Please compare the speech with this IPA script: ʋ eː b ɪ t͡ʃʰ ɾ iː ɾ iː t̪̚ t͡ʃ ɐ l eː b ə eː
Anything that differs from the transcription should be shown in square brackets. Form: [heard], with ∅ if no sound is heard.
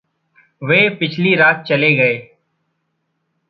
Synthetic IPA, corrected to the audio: ʋ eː [p] ɪ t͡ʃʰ [l] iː ɾ [aː] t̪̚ t͡ʃ [ə] l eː [ɡ] ə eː